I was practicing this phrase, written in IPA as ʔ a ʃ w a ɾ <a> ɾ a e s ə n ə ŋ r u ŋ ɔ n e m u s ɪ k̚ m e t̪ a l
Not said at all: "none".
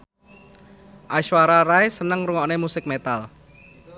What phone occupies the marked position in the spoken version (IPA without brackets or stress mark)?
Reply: a